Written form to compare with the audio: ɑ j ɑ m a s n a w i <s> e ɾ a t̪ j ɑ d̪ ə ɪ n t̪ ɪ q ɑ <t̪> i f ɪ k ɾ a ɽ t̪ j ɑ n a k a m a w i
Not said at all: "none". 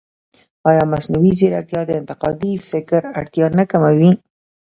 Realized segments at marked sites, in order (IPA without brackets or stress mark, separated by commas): z, d̪